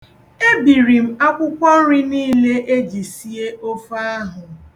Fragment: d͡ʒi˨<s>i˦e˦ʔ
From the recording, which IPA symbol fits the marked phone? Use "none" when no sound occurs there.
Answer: s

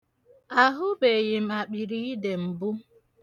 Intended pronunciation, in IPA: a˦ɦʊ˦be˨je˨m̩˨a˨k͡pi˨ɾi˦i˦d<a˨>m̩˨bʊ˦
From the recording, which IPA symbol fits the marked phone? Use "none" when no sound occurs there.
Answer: e˨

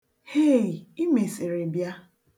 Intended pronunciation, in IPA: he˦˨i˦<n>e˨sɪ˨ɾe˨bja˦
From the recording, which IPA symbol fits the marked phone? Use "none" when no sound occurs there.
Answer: m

